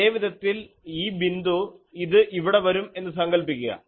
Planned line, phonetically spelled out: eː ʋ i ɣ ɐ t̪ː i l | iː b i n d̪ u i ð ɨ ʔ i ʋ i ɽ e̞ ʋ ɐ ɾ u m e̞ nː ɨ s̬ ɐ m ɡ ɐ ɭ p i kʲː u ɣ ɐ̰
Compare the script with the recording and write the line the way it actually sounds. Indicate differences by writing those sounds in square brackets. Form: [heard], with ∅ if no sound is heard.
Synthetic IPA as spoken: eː ʋ i [ð] ɐ t̪ː i l | iː b i n d̪ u i ð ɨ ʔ i ʋ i ɽ e̞ ʋ ɐ ɾ u m e̞ nː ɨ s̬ ɐ [ŋ] ɡ ɐ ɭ p i kʲː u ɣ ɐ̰

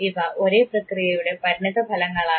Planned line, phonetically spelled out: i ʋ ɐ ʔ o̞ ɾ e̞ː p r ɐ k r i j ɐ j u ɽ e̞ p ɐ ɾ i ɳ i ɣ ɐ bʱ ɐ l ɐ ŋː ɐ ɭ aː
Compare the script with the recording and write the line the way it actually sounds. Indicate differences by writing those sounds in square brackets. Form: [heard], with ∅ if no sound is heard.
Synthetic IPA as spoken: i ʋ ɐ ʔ o̞ ɾ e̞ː p r ɐ k r i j ɐ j u ɽ e̞ p ɐ ɾ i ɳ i [ð] ɐ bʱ ɐ l ɐ ŋː ɐ ɭ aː

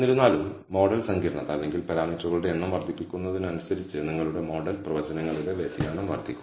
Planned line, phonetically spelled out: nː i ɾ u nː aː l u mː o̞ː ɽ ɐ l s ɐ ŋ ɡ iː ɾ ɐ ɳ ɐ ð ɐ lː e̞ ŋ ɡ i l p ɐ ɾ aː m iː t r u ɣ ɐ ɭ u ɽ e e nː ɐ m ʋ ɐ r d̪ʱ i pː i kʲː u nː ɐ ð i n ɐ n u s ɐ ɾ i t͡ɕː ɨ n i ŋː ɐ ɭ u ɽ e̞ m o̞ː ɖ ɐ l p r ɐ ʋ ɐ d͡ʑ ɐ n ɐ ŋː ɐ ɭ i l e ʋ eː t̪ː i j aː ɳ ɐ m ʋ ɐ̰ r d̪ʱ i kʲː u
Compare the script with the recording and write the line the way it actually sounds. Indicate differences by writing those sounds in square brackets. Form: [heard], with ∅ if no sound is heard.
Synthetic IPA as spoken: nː i ɾ u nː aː l u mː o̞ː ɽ ɐ l s ɐ ŋ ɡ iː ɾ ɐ ɳ ɐ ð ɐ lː e̞ ŋ ɡ i l p ɐ ɾ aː m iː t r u ɣ ɐ ɭ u ɽ e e nː ɐ m ʋ ɐ r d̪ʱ i pː i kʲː u nː ɐ ð i n ɐ n u s ɐ ɾ i t͡ɕː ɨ n i ŋː ɐ ɭ u ɽ e̞ m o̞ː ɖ ɐ l p r ɐ ʋ ɐ d͡ʑ ɐ n ɐ ŋː ɐ ɭ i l e ʋ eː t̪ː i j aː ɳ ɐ m ʋ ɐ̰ r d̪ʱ i kʲː u

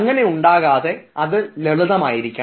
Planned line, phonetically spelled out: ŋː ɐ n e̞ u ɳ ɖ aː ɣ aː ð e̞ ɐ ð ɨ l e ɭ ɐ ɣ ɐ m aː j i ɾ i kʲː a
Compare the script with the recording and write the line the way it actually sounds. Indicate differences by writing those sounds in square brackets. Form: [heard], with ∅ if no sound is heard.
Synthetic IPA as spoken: ŋː ɐ n e̞ u ɳ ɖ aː ɣ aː ð e̞ ɐ ð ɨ l e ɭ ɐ [ð] ɐ m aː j i ɾ i kʲː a

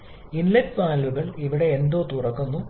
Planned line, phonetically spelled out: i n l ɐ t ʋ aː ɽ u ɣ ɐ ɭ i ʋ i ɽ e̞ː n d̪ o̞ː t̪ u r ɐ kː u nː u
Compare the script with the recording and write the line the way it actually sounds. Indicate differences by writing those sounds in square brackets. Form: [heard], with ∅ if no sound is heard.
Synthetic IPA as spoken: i n l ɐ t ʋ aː [l] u ɣ ɐ ɭ i ʋ i ɽ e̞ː n d̪ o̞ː t̪ u r ɐ kː u nː u

